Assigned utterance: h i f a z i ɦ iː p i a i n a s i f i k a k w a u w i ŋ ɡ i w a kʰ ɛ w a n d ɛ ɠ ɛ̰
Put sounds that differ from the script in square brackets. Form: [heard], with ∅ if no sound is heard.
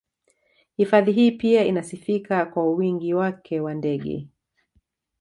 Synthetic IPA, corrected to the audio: h i f a [ð] i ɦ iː p i a i n a s i f i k a k w a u w i ŋ ɡ i w a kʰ ɛ w a n d ɛ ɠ ɛ̰